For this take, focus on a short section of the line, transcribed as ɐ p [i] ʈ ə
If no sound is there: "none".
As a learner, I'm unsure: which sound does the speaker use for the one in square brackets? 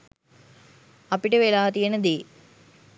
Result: i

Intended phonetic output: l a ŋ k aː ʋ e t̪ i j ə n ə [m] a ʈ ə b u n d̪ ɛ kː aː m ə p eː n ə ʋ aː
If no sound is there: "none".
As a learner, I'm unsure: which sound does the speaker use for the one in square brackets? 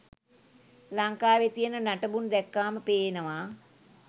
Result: n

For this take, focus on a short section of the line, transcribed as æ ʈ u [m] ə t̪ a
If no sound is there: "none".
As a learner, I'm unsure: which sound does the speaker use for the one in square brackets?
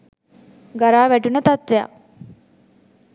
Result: n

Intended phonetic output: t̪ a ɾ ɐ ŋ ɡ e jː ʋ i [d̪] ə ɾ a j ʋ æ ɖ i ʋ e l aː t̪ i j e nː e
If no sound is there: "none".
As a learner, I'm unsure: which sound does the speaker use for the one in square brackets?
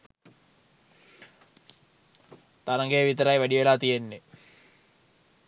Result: t̪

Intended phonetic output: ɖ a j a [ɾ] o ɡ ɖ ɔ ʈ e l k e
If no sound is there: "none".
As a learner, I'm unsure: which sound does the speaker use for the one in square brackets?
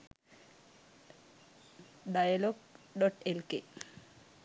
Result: l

